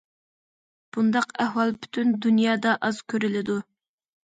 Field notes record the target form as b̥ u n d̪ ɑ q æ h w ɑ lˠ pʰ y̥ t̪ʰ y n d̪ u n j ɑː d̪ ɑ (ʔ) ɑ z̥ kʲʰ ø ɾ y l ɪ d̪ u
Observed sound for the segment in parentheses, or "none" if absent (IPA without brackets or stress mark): ʔ